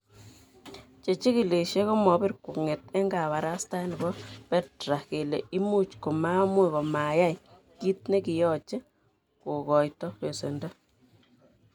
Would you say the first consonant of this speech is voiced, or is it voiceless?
voiceless